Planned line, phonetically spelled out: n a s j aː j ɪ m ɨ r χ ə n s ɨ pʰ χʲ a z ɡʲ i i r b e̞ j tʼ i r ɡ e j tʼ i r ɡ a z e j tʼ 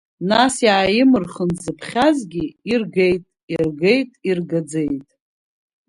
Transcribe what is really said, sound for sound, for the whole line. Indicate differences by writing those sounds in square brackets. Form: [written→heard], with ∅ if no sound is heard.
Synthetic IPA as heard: n a s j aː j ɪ m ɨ r χ ə n [s→z] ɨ pʰ χʲ a z ɡʲ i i r [b→ɡ] e̞ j tʼ i r ɡ e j tʼ i r ɡ a [z→d͡z] e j tʼ